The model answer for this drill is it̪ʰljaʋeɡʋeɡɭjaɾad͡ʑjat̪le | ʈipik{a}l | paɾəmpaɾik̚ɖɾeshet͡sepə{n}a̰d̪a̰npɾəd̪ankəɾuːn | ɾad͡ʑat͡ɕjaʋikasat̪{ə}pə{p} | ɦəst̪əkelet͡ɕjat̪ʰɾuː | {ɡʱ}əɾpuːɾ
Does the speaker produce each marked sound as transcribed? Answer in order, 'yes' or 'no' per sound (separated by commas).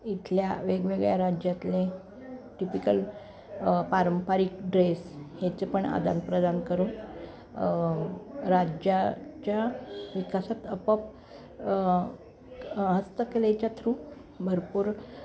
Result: no, no, yes, yes, no